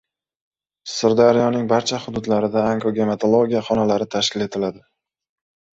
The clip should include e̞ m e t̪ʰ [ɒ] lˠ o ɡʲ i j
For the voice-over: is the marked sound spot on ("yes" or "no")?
no